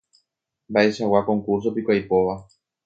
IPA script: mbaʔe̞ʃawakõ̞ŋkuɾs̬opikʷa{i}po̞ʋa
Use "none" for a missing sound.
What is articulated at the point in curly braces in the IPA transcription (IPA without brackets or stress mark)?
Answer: j